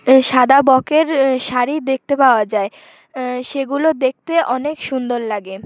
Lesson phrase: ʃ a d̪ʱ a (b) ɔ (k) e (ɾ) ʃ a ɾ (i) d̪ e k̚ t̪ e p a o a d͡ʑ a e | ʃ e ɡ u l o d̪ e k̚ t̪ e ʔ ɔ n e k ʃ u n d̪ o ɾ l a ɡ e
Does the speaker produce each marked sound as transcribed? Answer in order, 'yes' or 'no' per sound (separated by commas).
yes, yes, yes, yes